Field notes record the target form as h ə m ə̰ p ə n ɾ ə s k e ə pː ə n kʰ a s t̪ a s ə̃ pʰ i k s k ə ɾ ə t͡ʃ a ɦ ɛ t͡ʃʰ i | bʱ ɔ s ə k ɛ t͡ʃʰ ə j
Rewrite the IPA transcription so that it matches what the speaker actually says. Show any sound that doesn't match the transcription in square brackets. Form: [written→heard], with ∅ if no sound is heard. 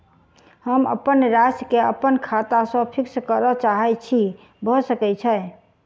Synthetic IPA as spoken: h ə m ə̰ p ə n ɾ [ə→a] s k e ə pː ə n kʰ a [s→∅] t̪ a s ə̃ pʰ i k s k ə ɾ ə t͡ʃ a ɦ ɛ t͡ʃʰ i | bʱ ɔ s ə k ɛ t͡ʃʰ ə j